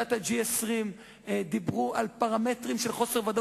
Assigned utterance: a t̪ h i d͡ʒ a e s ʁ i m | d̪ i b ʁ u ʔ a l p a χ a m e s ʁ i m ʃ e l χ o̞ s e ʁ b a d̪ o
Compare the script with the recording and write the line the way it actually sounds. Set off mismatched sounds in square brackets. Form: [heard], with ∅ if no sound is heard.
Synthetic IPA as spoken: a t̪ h [a] d͡ʒ [i] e s ʁ i m | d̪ i b ʁ u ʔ a l p a [ʁ] a m e [t] ʁ i m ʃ e l χ o̞ s e ʁ [v] a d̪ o